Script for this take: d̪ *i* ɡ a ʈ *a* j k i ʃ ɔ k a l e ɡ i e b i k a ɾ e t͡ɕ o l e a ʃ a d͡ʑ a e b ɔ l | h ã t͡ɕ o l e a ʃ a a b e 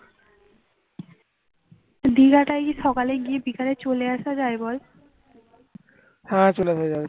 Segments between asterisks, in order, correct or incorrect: correct, correct

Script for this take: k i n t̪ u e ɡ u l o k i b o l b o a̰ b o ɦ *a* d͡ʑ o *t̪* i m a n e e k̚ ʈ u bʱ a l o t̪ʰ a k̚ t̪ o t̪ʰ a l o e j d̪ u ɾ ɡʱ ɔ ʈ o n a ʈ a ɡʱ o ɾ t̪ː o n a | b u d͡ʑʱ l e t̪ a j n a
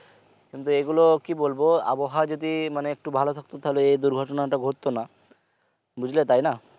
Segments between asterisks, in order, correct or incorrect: correct, incorrect: d̪

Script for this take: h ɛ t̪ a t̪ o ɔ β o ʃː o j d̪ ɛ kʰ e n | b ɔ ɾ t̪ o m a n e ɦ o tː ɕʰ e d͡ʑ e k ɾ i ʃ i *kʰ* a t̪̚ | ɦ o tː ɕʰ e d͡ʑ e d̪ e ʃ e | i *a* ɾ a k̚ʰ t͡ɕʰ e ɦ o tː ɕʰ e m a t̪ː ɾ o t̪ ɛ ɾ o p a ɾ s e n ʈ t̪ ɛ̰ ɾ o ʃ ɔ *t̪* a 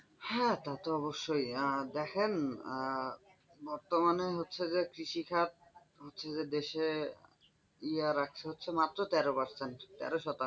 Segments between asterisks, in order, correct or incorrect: correct, correct, correct

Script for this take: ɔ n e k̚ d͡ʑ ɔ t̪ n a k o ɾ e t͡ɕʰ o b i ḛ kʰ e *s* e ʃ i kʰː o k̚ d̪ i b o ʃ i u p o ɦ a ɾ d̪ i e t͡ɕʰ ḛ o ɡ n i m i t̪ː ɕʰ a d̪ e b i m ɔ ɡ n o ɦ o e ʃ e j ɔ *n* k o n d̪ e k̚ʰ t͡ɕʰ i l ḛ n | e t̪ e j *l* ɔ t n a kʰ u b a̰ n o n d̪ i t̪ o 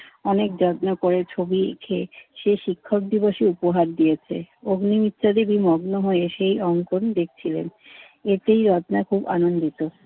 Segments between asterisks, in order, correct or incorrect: incorrect: ʃ, incorrect: ŋ, incorrect: ɾ

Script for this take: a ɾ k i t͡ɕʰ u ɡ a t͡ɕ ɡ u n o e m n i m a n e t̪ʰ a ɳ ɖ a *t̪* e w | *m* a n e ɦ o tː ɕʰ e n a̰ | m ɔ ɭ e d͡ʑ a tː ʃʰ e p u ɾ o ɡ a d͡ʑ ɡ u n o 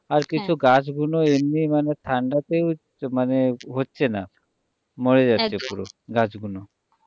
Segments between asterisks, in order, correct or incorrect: correct, correct

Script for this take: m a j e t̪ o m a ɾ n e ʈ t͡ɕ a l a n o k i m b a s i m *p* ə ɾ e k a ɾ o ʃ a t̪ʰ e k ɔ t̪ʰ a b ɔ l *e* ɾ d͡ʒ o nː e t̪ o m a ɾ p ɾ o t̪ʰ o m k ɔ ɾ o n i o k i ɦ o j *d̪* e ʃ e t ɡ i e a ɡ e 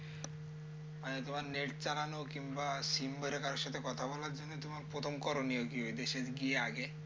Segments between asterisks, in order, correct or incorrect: incorrect: b, incorrect: a, correct

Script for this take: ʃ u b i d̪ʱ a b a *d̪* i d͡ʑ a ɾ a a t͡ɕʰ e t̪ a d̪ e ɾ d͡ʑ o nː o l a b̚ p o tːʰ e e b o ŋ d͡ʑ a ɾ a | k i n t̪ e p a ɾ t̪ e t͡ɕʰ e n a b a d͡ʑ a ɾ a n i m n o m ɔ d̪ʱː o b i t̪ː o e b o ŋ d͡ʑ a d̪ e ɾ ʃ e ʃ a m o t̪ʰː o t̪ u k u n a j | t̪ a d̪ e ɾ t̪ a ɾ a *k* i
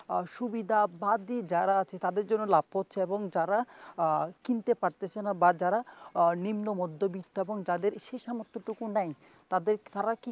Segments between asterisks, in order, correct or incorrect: correct, correct

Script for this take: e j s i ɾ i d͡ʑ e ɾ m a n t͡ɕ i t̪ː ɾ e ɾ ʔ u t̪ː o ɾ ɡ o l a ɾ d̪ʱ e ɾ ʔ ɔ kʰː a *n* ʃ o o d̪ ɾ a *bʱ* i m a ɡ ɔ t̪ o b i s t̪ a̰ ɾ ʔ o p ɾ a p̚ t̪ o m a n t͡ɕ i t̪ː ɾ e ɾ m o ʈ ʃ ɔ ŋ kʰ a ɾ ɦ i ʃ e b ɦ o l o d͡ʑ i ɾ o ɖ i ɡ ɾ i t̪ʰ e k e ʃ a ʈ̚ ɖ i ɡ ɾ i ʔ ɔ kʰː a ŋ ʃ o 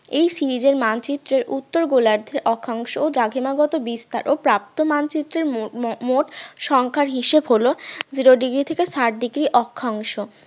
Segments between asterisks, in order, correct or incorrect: incorrect: ŋ, incorrect: ɡʱ

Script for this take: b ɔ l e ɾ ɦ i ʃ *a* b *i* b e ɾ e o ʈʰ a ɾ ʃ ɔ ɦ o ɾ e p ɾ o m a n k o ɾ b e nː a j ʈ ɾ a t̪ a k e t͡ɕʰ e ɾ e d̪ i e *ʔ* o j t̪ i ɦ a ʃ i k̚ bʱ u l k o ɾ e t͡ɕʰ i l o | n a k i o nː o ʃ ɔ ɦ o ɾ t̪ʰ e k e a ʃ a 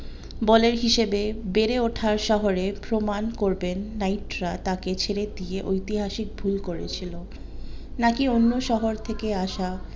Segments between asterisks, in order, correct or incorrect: incorrect: e, incorrect: e, correct

